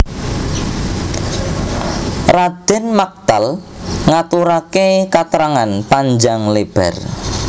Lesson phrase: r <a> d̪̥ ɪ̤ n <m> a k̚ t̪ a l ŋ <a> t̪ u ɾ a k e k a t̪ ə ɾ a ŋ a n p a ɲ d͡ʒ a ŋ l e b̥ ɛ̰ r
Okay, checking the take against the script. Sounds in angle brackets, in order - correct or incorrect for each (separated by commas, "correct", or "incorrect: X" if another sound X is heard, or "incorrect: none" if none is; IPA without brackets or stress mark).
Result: correct, correct, correct